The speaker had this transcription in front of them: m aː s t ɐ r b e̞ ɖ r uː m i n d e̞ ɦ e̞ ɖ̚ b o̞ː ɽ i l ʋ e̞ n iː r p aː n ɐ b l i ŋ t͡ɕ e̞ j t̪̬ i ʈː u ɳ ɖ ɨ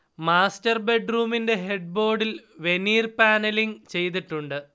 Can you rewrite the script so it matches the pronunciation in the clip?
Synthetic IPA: m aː s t ɐ r b e̞ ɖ r uː m i n d e̞ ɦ e̞ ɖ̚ b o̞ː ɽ i l ʋ e̞ n iː r p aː n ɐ l i ŋ t͡ɕ e̞ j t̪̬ i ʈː u ɳ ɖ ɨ